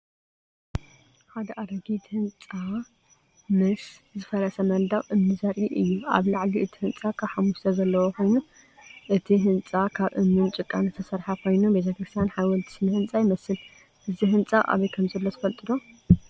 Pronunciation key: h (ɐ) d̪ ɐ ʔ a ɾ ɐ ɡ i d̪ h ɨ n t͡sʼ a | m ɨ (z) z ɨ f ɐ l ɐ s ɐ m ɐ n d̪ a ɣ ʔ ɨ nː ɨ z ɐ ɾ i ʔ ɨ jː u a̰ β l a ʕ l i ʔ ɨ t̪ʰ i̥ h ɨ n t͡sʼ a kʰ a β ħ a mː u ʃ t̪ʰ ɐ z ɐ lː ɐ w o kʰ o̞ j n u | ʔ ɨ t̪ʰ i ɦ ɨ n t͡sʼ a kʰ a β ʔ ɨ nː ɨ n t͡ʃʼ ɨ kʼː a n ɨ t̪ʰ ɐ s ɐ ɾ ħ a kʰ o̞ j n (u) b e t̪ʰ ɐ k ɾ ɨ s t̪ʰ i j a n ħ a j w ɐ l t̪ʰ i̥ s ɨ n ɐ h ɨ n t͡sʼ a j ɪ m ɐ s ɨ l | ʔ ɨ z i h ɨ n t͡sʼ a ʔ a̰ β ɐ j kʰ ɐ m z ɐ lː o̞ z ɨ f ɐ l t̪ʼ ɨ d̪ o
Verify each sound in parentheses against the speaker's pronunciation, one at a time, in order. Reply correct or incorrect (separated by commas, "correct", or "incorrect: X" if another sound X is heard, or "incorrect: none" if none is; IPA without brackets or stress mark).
incorrect: a, incorrect: s, correct